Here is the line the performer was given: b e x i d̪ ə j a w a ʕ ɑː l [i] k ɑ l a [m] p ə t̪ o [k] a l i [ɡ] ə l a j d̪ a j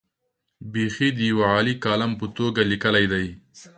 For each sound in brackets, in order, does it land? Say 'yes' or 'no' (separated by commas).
yes, yes, no, no